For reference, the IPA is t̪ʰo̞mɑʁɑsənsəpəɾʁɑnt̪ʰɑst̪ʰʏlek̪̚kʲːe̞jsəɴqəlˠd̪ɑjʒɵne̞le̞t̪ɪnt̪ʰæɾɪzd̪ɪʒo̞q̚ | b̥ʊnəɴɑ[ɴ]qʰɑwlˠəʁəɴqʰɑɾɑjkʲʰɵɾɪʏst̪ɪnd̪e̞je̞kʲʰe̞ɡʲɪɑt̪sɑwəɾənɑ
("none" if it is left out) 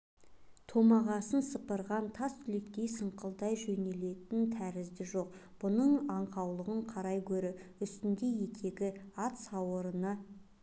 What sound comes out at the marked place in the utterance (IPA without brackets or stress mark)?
ɴ